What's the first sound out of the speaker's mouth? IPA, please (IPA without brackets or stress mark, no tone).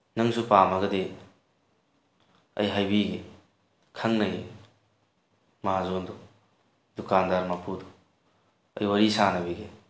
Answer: n